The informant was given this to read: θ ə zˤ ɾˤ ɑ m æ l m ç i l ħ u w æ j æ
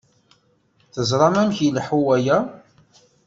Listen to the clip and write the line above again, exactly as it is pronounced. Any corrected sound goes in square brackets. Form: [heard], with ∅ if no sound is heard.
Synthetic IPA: θ ə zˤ ɾˤ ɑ m æ [∅] m ç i l ħ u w æ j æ

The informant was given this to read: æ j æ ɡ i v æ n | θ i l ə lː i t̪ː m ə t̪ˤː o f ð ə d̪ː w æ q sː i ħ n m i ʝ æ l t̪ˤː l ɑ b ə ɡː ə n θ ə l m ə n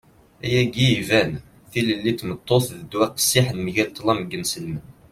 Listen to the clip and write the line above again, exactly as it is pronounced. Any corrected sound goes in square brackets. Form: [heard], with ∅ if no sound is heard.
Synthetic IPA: æ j æ ɡ i v æ n | θ i l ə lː i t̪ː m ə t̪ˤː o [θ] ð ə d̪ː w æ q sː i ħ n m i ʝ æ l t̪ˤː l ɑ [m] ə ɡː ə n [s] ə l m ə n

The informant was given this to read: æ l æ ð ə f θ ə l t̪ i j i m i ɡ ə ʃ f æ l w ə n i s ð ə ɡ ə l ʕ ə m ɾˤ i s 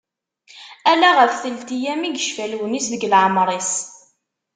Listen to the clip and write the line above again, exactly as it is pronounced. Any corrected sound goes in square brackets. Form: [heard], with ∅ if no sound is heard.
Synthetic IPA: æ l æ [ʁ] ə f θ ə l t̪ i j [æ] m i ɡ ə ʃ f æ l w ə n i s ð ə ɡ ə l ʕ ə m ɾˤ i s

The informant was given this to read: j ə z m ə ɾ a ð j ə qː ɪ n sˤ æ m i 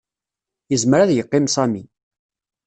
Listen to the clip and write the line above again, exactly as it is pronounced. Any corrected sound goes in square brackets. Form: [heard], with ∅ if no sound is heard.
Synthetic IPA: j ə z m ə ɾ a ð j ə qː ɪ [m] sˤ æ m i

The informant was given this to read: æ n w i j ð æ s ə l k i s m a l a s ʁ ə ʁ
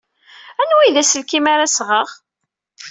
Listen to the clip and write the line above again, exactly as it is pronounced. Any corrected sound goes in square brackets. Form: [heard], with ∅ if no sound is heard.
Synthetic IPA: æ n w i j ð æ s ə l k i [∅] m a [ɾ] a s ʁ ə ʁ

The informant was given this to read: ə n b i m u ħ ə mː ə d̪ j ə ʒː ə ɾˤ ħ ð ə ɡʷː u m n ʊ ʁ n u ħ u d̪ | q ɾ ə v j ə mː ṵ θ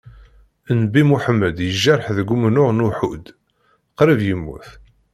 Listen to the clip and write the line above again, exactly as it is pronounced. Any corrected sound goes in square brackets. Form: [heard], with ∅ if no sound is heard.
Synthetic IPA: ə n b i m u ħ ə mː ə d̪ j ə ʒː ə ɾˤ ħ ð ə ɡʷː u m n ʊ ʁ n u ħ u d̪ | q ɾ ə v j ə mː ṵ θ

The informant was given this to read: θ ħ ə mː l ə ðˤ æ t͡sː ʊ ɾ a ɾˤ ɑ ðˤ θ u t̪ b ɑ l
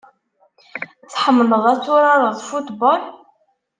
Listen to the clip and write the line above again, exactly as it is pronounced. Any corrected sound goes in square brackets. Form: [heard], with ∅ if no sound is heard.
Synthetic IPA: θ ħ ə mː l ə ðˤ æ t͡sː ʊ ɾ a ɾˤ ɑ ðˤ [f] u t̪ b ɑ l

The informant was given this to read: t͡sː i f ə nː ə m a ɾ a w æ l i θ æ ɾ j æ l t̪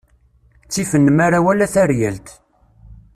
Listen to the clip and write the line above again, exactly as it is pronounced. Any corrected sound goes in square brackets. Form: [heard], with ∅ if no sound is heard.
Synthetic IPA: t͡sː i f ə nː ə m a ɾ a w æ l [æ] θ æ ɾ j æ l t̪

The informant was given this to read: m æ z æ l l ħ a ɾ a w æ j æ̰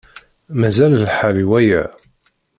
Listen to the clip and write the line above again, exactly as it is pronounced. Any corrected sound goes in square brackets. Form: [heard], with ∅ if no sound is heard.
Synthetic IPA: m æ z æ l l ħ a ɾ [i] w æ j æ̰

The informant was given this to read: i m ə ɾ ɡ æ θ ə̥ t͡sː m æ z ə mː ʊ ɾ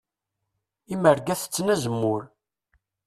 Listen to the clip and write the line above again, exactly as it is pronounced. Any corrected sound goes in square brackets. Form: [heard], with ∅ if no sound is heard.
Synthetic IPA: i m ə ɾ ɡ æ θ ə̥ t͡sː [n] æ z ə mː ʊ ɾ

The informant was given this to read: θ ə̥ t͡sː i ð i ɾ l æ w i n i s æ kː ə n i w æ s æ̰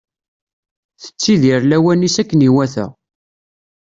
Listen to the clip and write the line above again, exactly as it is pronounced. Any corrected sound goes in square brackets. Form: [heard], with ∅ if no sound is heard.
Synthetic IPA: θ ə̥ t͡sː i ð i ɾ l æ w [æ] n i s æ kː ə n i w æ [θ] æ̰

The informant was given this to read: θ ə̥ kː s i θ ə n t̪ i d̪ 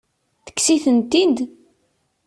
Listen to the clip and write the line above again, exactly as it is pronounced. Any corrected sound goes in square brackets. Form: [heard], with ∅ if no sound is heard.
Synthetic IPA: θ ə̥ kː s i θ ə n t̪ i d̪

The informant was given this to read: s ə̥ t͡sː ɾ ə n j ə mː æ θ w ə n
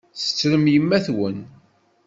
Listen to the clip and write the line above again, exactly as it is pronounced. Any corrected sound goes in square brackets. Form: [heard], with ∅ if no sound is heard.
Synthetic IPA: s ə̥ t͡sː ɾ ə [m] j ə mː æ θ w ə n

